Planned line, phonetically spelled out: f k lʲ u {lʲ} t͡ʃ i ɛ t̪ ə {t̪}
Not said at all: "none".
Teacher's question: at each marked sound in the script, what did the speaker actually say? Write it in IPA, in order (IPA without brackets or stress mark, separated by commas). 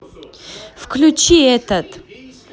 none, t̪